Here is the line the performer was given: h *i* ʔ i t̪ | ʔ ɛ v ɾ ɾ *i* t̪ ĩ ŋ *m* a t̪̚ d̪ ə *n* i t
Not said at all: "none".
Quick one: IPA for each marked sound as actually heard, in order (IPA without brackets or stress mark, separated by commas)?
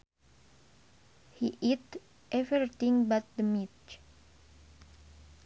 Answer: i, i, b, m